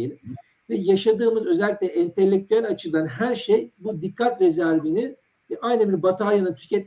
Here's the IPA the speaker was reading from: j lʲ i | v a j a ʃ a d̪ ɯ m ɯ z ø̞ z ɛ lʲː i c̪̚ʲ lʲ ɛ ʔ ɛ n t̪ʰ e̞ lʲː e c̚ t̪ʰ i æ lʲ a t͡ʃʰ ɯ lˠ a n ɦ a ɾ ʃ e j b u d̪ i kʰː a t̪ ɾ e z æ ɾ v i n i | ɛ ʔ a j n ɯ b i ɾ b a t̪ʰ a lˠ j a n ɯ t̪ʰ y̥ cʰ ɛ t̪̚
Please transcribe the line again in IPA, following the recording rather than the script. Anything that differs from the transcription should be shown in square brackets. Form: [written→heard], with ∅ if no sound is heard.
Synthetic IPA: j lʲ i | v [a→ɛ] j a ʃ a d̪ [ɯ→ɯː] m ɯ z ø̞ z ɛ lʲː i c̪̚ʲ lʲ ɛ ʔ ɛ n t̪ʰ e̞ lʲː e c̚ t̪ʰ [i→y] æ lʲ a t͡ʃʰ ɯ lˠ a n ɦ [a→æ] ɾ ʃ e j b u d̪ i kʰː a t̪ ɾ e z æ ɾ v i n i | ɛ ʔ a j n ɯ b i ɾ b a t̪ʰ a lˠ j a n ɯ t̪ʰ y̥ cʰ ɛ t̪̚